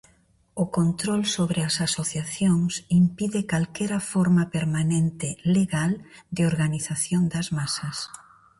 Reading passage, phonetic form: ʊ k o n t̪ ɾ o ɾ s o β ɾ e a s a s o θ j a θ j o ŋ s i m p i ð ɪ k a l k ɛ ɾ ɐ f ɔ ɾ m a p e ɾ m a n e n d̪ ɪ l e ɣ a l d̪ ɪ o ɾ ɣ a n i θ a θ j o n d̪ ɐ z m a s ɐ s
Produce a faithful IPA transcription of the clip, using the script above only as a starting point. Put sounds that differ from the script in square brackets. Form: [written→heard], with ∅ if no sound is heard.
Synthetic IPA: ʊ k o n t̪ ɾ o [ɾ→l] s o β ɾ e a s a s o θ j a θ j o ŋ s i m p i ð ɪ k a l k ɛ ɾ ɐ f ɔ ɾ m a p e ɾ m a n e n [d̪→t̪] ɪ l e ɣ a l d̪ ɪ o ɾ ɣ a n i θ a θ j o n d̪ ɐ z m a s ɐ s